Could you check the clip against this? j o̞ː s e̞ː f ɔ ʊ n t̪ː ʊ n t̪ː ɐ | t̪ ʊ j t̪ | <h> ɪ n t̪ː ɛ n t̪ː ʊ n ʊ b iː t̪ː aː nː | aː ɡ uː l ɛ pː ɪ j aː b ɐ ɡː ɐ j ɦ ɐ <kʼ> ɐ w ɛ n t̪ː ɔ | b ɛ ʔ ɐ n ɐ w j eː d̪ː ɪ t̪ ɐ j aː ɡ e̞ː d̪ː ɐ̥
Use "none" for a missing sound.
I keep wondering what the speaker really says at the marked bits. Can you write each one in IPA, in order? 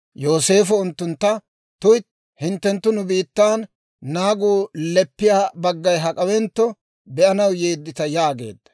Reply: h, kʼ

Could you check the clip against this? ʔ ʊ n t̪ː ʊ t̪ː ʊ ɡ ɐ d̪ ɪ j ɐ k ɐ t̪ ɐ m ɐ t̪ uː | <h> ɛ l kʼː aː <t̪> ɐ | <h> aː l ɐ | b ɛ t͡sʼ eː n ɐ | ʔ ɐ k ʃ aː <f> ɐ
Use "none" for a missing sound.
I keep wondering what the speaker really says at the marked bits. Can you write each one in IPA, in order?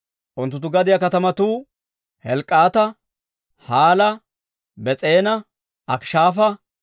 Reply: h, t̪, h, f

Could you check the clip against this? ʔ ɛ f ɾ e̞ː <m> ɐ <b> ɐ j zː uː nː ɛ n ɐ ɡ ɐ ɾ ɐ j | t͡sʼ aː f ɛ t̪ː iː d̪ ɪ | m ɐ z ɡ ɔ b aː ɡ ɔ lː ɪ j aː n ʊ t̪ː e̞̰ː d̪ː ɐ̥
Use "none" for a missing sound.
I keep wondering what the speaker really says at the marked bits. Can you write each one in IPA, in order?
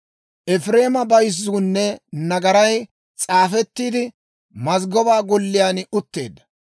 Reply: m, b

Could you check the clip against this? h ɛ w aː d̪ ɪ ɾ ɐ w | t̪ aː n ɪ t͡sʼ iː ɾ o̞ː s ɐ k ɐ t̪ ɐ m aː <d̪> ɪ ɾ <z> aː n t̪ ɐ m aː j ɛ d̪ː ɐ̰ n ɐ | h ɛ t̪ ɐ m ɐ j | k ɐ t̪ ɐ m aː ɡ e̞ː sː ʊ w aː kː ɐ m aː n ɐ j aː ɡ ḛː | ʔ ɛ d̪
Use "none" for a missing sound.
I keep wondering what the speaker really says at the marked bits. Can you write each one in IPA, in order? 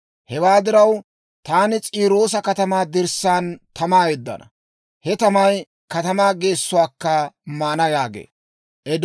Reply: d̪, s

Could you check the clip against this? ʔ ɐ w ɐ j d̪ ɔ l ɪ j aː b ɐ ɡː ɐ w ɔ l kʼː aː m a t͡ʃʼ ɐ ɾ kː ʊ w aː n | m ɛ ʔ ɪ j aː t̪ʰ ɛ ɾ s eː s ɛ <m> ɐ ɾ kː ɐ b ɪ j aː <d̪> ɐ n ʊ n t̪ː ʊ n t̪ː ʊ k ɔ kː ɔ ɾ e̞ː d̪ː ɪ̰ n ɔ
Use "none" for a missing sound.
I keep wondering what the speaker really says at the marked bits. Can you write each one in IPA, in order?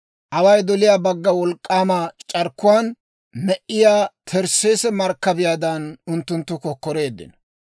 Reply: m, d̪

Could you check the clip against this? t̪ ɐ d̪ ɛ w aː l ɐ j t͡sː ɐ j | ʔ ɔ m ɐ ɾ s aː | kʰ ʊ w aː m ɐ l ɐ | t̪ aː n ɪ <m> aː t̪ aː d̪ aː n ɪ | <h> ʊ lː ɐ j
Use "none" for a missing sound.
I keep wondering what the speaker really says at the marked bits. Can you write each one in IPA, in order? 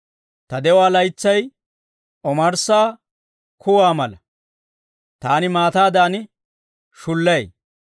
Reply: m, ʃ

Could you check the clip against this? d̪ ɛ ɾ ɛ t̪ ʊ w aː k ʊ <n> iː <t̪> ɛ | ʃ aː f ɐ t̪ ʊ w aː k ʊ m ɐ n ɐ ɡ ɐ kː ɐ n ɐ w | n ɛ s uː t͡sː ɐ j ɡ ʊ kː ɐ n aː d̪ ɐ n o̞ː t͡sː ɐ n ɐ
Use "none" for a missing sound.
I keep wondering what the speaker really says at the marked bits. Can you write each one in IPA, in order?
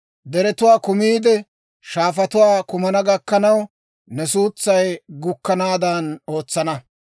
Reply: m, d̪

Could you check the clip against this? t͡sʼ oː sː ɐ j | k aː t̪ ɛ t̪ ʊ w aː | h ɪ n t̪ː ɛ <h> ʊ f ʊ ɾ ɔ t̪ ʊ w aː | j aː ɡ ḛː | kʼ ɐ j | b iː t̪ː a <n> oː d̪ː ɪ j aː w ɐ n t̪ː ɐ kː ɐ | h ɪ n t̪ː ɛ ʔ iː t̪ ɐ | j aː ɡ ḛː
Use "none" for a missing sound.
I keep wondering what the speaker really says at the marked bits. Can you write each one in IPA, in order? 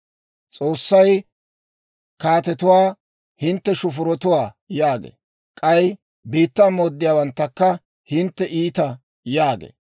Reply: ʃ, m

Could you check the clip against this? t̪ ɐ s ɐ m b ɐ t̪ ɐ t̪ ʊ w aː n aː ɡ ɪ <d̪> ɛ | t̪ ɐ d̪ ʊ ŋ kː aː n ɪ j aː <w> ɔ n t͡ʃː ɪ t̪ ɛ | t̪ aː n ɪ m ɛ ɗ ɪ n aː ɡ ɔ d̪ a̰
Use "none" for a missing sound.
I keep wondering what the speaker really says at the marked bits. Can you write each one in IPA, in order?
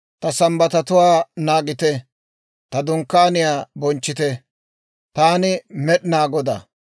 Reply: t̪, b

